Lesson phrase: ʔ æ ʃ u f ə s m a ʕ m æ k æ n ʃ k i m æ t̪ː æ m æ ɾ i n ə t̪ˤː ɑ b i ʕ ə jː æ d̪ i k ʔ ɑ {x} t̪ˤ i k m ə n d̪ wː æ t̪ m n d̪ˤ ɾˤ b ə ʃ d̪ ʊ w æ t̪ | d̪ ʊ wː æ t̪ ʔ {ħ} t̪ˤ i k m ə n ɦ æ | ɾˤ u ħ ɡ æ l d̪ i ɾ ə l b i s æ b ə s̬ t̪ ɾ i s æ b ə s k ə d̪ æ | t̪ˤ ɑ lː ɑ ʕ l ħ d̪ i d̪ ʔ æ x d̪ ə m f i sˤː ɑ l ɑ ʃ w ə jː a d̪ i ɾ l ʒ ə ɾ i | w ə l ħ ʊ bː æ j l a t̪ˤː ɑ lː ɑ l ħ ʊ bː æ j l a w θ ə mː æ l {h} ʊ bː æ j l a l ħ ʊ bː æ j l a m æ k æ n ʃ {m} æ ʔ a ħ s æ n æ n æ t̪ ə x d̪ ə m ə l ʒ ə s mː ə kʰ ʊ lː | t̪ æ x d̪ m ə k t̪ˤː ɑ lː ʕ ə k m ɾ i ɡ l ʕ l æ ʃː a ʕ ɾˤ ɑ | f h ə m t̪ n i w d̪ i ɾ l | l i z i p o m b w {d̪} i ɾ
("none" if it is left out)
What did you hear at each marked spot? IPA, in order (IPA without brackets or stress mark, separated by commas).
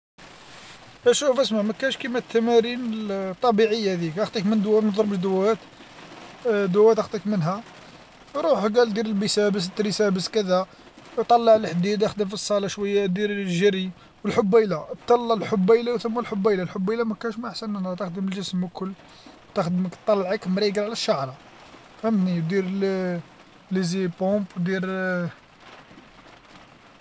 x, x, ħ, m, d̪